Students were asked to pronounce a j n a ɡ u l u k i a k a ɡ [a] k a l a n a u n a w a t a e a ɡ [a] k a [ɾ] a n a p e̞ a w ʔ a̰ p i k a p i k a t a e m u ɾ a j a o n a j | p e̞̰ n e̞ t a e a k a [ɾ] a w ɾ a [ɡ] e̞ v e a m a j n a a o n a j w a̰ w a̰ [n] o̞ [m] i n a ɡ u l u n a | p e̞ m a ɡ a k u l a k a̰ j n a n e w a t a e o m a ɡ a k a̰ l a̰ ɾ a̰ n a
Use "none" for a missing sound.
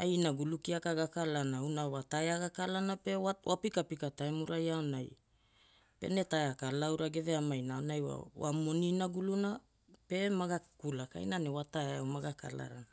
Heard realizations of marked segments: a, a, l, l, ɡ, m, n

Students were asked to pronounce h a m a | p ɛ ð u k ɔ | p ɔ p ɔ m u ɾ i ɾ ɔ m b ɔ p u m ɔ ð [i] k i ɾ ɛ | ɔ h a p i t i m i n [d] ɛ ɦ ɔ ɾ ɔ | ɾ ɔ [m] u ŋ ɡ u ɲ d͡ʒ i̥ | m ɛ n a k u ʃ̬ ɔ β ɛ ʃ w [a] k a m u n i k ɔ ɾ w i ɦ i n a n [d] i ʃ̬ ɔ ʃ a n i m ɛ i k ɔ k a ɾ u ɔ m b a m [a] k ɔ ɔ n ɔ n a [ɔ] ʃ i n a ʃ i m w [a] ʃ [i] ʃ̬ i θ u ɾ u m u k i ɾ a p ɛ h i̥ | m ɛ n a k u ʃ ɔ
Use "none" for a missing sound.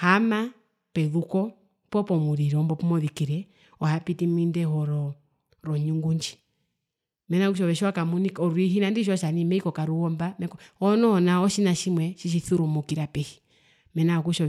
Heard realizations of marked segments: i, d, ɲ, a, d, ɛ, ɔ, ɛ, i

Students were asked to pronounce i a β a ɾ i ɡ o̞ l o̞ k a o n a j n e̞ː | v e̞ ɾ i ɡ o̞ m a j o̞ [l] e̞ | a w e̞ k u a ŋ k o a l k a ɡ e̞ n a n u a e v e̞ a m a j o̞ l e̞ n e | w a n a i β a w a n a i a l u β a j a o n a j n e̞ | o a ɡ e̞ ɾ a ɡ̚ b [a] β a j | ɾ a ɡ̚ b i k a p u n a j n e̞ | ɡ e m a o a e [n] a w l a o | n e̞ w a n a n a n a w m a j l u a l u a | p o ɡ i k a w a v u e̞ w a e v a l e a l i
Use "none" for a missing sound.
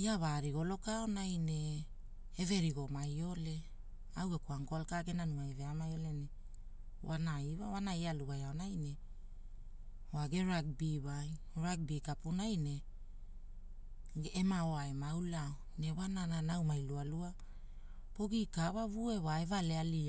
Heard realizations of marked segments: l, i, m

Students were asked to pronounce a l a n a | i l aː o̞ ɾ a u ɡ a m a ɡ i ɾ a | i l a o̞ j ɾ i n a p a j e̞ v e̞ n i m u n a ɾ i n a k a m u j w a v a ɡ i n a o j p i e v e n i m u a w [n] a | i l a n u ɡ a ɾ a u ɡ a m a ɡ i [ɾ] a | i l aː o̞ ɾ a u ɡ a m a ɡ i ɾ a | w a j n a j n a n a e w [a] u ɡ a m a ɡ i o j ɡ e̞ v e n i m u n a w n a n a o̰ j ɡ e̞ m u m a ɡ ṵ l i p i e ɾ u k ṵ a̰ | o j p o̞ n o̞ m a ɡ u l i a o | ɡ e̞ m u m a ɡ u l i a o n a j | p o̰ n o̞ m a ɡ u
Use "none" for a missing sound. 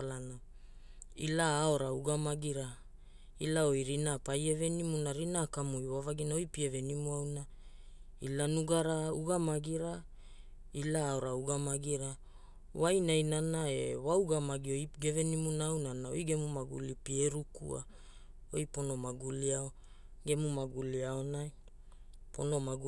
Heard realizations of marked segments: n, ɾ, a

